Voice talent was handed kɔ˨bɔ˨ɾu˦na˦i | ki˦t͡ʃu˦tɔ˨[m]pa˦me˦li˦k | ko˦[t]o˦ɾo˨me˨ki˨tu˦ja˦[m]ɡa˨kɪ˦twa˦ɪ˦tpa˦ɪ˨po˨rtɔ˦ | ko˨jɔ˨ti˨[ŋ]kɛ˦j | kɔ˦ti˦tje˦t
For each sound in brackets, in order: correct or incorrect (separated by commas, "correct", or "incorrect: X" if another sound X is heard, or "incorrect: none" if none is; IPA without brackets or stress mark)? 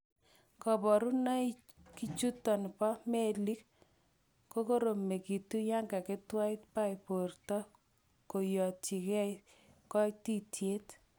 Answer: incorrect: n, incorrect: k, incorrect: ŋ, incorrect: none